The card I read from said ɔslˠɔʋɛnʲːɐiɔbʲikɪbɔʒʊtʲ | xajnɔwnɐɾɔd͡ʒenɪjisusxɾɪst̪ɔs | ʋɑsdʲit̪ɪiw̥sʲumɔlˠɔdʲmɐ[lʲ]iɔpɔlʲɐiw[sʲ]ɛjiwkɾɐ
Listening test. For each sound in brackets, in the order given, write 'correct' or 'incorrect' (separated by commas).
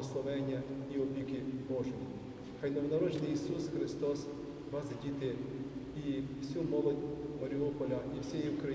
incorrect, correct